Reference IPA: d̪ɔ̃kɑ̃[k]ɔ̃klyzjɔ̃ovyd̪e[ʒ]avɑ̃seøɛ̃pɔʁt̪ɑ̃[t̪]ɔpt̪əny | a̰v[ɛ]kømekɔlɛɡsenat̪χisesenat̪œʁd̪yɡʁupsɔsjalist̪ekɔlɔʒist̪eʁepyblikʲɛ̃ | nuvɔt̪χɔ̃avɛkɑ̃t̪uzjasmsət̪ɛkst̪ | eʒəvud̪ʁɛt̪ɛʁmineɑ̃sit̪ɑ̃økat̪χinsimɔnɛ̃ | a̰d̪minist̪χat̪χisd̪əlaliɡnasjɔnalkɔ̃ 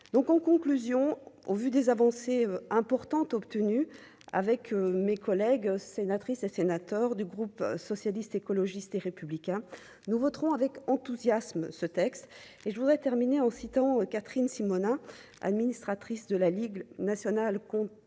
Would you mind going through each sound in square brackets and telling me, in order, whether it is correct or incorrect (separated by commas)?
correct, incorrect, correct, correct